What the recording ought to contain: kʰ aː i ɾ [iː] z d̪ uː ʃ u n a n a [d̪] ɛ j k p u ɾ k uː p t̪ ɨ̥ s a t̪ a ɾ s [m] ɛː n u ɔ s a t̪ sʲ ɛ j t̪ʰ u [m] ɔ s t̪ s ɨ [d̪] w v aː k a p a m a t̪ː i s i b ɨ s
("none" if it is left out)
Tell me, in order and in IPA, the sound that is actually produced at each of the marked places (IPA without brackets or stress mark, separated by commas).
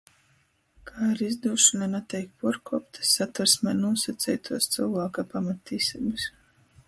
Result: i, t̪, m, none, none